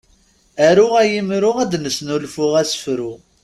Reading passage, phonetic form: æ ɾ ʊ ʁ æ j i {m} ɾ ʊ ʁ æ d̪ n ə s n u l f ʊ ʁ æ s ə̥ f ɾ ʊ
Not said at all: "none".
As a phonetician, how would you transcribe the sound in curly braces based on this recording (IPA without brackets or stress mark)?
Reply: m